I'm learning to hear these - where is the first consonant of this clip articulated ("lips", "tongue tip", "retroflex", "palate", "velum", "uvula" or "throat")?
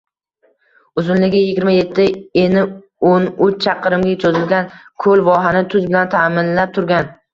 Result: tongue tip